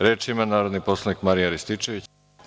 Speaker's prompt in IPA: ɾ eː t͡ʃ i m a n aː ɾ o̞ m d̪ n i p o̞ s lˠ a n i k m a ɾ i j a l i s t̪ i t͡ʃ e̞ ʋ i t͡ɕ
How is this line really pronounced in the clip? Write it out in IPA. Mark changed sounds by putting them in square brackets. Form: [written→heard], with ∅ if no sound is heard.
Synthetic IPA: ɾ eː t͡ʃ i m a n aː ɾ o̞ [m→∅] d̪ n i p o̞ s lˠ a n i k m a ɾ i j a [l→ɾ] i s t̪ i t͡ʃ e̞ ʋ i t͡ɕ